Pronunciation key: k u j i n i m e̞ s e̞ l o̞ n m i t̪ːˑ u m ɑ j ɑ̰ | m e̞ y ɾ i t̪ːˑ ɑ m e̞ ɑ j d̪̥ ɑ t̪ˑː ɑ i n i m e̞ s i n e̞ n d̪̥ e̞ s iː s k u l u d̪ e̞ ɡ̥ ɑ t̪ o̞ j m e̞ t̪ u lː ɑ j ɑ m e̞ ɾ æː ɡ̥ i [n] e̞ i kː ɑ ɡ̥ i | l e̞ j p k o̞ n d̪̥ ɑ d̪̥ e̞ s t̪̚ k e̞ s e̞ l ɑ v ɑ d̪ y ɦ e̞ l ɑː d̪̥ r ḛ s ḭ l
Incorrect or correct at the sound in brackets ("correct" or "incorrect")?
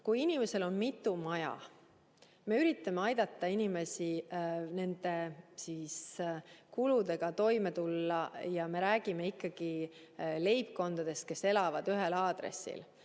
incorrect